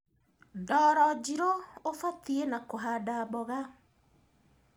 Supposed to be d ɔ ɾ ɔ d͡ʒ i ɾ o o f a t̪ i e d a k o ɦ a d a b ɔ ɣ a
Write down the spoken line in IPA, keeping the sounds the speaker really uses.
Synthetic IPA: d ɔ ɾ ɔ d͡ʒ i ɾ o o f a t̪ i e n a k o ɦ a d a b ɔ ɣ a

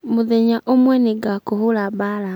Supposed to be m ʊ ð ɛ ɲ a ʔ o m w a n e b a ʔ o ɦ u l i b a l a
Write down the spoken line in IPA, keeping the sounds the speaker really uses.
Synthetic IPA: m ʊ ð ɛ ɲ a ʔ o m w ɛ n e ɡ a k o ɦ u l a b a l a

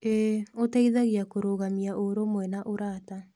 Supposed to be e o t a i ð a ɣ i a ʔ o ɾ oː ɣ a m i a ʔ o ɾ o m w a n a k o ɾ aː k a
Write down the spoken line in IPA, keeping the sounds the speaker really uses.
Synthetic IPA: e o t a i ð a ɣ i a k o ɾ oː ɣ a m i a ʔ o ɾ o m w ɛ n a ʔ o ɾ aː t a

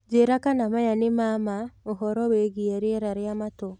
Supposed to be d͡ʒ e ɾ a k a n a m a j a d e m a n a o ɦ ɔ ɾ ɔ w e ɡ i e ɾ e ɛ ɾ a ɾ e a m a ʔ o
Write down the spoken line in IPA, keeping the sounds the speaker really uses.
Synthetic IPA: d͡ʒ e ɾ a k a n a m a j a n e m a m a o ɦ ɔ ɾ ɔ w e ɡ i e ɾ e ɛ ɾ a ɾ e a m a t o

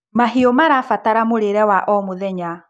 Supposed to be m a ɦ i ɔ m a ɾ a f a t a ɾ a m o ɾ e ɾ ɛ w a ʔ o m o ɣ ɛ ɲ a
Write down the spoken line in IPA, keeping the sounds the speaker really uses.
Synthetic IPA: m a ɦ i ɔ m a ɾ a f a t a ɾ a m o ɾ e ɾ ɛ w a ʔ ɔ m o ð ɛ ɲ a

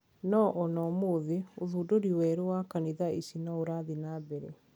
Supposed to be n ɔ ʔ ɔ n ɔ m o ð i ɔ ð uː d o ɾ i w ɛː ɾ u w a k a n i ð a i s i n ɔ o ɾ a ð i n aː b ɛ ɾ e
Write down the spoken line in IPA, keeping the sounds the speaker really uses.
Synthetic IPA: n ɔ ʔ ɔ n ɔ m o ð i o ð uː d o ɾ i w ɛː ɾ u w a k a n i ð a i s i n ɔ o ɾ a ð i n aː b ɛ ɾ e

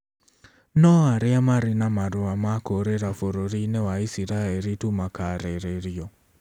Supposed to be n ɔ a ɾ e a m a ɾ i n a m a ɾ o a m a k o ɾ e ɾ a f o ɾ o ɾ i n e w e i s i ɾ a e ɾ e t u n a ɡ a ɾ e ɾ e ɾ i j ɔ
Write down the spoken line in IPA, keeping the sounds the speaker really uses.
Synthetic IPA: n ɔ a ɾ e a m a ɾ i n a m a ɾ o a m a k o ɾ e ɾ a f o ɾ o ɾ i n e w a i s i ɾ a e ɾ i t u m a k a ɾ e ɾ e ɾ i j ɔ

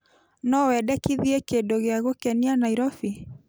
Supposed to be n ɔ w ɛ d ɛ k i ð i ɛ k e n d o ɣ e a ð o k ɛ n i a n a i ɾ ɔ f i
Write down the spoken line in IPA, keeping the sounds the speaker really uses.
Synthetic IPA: n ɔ w ɛ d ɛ k i ð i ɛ k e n d o ɣ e a ɣ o k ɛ n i a n a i ɾ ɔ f i

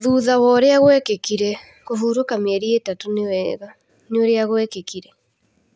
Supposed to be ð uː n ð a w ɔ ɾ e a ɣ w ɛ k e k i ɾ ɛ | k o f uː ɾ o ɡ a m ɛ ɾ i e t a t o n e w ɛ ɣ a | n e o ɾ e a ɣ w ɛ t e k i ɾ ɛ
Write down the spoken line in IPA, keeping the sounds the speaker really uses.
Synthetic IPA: ð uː ð a w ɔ ɾ e a ɣ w ɛ k e k i ɾ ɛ | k o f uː ɾ o k a m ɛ ɾ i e t a t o n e w ɛ ɣ a | n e o ɾ e a ɣ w ɛ k e k i ɾ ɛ

